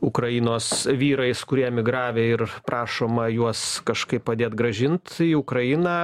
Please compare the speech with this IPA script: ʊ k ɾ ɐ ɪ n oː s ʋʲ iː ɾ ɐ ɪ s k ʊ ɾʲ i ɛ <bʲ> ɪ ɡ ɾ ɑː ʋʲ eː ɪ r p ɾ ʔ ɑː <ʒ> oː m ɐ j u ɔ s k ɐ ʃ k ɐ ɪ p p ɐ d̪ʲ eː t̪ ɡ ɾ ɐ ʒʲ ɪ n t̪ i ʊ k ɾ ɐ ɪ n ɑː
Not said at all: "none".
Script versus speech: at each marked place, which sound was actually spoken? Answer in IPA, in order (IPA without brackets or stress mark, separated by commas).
mʲ, ʃ